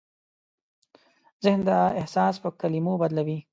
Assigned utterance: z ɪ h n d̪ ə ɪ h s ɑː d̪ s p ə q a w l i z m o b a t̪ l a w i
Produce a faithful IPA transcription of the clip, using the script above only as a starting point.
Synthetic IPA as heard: z ɪ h n d̪ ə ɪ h s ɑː s p ə k a l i m o b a d̪ l a w i